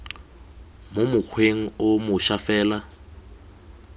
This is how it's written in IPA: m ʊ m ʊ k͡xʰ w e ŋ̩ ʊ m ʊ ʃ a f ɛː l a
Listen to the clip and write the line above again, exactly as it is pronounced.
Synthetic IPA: m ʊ m ʊ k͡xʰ w e ŋ̩ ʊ m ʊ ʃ a f ɛː l a